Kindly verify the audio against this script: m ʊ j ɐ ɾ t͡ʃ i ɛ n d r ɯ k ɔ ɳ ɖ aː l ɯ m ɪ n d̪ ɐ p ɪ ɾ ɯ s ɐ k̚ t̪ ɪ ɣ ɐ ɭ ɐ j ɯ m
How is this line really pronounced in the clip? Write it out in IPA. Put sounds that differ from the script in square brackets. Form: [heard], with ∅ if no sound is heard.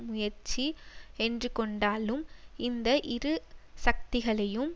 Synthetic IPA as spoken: m ʊ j ɐ ɾ t͡ʃ i ɛ n d r ɯ k ɔ ɳ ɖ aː l ɯ m ɪ n d̪ ɐ [ʔ] ɪ ɾ ɯ s ɐ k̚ t̪ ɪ ɣ ɐ ɭ ɐ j ɯ m